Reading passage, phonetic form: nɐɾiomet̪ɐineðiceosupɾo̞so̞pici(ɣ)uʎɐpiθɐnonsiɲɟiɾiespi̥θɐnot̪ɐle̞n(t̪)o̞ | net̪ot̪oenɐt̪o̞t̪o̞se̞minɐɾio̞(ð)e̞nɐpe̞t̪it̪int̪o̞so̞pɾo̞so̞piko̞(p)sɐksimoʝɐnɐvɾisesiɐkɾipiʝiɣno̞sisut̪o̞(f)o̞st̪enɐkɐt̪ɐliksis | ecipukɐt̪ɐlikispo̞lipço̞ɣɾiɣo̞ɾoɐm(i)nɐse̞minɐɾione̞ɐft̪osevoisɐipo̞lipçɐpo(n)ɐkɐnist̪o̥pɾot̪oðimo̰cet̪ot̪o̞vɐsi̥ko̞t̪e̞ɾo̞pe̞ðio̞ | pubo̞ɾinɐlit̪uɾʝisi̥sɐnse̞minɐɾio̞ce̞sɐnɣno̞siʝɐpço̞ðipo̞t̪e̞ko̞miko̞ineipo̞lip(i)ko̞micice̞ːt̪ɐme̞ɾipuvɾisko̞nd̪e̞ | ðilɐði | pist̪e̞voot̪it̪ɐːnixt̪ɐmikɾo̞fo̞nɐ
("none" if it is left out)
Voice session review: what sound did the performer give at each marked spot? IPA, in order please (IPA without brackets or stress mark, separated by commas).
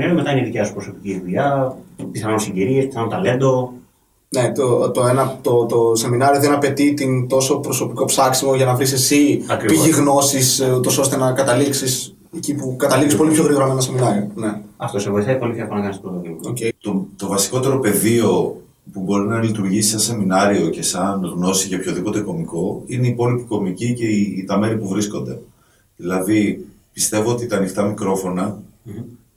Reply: ð, d̪, ð, p, s, e, n, i